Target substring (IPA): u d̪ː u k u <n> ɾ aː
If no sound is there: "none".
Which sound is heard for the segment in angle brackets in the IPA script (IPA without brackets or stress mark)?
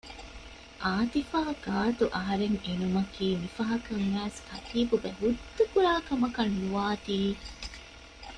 none